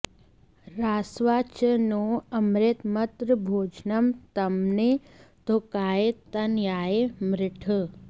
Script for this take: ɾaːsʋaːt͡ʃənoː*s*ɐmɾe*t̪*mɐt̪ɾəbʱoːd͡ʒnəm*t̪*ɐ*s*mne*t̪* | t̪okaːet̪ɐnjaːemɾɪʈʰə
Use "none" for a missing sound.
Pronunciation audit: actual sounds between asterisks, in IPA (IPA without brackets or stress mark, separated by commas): none, t̪, t̪, none, none